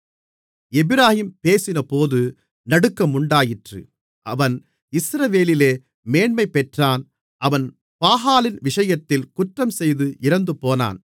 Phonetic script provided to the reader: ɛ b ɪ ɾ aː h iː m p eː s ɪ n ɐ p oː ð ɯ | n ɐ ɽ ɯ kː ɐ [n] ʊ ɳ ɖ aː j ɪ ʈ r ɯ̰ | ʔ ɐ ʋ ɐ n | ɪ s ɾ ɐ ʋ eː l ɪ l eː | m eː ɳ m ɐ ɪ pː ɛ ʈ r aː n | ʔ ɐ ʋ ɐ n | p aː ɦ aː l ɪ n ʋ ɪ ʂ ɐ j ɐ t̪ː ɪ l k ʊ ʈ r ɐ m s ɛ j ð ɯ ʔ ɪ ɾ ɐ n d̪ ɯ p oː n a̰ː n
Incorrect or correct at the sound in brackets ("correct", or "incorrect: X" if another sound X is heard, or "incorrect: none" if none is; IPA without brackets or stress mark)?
incorrect: m